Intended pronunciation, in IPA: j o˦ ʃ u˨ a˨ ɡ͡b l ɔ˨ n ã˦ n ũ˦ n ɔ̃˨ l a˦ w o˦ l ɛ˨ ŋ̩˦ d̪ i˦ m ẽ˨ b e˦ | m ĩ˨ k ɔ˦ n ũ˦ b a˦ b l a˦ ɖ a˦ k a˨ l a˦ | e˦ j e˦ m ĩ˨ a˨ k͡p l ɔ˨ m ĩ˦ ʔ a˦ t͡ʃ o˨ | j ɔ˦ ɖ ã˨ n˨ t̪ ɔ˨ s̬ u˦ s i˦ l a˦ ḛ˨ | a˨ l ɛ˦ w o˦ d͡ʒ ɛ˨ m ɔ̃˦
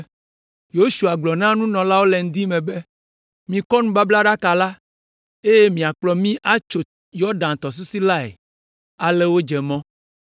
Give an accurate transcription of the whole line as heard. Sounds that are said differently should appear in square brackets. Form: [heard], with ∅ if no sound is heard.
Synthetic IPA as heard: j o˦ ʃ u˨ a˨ ɡ͡b l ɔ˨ n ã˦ n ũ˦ n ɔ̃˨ l a˦ w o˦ l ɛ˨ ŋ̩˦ d̪ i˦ m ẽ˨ b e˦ | m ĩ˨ k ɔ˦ n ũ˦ b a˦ b l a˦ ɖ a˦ k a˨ l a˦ | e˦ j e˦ m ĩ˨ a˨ k͡p l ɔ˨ m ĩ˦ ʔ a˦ t͡ʃ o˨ | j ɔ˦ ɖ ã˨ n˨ t̪ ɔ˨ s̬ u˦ s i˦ l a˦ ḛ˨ | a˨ l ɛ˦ w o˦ d͡ʒ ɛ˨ m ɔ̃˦